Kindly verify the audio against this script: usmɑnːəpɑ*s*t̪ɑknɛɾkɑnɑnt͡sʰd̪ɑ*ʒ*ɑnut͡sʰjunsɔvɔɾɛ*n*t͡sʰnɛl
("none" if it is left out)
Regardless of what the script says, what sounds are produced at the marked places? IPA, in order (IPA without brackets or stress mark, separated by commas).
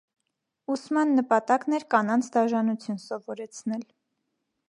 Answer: none, ʒ, none